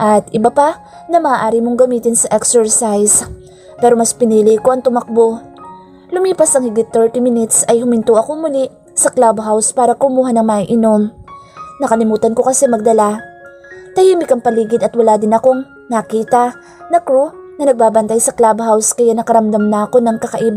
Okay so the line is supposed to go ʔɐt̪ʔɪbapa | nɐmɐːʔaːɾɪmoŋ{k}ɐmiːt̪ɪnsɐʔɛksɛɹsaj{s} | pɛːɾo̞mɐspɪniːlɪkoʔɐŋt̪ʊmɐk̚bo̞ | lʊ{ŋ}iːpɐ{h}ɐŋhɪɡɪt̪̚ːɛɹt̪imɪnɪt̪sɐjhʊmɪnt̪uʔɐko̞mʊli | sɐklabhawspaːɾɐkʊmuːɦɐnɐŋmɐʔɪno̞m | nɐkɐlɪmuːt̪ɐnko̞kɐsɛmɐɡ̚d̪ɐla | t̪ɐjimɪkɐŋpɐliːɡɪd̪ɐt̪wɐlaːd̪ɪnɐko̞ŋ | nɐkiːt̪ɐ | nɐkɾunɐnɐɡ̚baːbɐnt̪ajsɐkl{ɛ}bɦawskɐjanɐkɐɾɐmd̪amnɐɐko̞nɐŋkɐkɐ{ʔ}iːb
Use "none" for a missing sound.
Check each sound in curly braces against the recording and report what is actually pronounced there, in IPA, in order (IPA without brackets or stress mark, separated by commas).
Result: ɡ, s, m, s, a, ʔ